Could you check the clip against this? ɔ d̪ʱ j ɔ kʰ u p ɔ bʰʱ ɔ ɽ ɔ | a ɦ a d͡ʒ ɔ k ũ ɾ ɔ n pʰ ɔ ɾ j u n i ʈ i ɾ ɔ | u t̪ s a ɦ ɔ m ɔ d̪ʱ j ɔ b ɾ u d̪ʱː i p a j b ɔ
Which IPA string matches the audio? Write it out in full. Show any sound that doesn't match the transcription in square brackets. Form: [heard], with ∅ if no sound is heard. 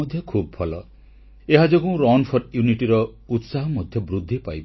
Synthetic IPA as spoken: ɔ d̪ʱ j ɔ kʰ u [b] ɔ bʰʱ ɔ [l] ɔ | [e] ɦ a d͡ʒ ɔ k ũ ɾ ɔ n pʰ ɔ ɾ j u n i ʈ i ɾ ɔ | u t̪ s a ɦ ɔ m ɔ d̪ʱ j ɔ b ɾ u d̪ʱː i p a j b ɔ

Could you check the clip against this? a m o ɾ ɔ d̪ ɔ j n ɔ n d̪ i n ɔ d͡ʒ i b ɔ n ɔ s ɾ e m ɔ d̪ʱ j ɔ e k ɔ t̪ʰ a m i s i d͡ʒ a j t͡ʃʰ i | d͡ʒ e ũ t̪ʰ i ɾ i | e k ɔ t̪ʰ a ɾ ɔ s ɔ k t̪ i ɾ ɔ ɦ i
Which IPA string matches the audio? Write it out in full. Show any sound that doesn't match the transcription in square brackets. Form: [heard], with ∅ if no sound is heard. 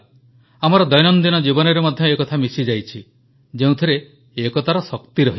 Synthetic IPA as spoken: a m [ɔ] ɾ ɔ d̪ ɔ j n ɔ n d̪ i n ɔ d͡ʒ i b ɔ n ɔ [∅] ɾ e m ɔ d̪ʱ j ɔ e k ɔ t̪ʰ a m i s i d͡ʒ a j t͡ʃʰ i | d͡ʒ e ũ t̪ʰ i ɾ [e] | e k ɔ t̪ʰ a ɾ ɔ s ɔ k t̪ i ɾ ɔ ɦ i

